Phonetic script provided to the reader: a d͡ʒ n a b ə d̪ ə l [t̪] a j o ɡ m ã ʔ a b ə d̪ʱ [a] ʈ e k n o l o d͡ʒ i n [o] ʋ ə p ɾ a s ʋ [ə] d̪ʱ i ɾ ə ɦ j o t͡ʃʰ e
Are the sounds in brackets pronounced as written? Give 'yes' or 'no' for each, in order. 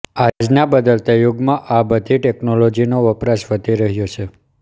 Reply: yes, no, yes, yes

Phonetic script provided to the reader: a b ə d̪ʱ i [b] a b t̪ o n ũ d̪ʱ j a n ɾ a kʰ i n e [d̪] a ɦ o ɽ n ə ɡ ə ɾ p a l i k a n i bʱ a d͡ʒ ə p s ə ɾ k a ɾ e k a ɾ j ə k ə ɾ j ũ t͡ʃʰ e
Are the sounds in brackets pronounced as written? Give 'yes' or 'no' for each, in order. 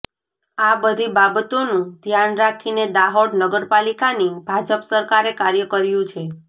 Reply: yes, yes

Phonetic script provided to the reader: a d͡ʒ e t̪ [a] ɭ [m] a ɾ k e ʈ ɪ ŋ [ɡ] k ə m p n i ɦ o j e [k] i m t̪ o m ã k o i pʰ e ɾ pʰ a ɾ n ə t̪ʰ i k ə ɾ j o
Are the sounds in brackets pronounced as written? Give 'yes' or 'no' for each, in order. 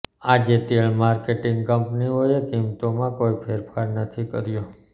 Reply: no, yes, yes, yes

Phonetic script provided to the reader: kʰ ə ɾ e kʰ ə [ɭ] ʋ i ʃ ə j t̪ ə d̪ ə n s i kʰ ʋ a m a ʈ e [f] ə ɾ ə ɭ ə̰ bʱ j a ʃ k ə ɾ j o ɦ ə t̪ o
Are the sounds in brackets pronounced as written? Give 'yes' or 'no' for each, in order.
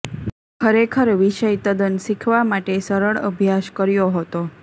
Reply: no, no

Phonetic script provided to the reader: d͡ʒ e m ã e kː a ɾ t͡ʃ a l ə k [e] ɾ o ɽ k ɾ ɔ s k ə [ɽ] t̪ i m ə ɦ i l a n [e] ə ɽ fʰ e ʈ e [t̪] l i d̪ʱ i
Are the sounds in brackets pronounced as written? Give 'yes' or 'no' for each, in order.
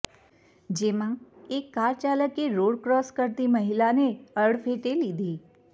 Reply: yes, no, yes, no

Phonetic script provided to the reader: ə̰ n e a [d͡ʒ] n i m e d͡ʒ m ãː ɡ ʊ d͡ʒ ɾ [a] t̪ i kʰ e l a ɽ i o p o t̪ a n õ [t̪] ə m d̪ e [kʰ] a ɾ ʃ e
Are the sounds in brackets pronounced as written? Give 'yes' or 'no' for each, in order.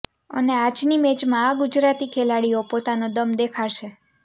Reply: yes, yes, no, yes

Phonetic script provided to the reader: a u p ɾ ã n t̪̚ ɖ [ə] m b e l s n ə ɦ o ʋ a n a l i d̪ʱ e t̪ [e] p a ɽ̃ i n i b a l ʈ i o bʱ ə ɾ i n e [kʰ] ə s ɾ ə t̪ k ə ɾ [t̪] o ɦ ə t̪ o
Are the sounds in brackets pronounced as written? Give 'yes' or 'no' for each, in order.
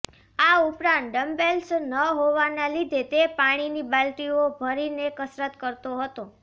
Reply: yes, yes, no, yes

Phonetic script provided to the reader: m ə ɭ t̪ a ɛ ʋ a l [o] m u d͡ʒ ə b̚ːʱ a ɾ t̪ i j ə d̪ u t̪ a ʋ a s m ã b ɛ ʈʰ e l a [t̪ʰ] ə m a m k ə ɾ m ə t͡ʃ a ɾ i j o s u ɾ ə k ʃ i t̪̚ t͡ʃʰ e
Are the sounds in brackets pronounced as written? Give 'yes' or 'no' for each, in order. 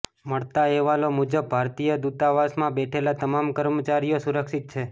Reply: yes, no

